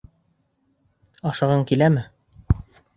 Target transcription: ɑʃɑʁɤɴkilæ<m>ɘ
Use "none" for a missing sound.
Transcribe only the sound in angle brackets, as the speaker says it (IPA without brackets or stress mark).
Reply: m